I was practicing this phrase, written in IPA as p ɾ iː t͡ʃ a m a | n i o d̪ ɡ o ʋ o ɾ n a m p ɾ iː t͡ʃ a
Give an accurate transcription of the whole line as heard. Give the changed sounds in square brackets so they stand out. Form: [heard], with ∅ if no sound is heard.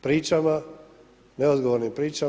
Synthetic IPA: p ɾ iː t͡ʃ a m a | n [e] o d̪ ɡ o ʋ o ɾ n [i] m p ɾ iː t͡ʃ a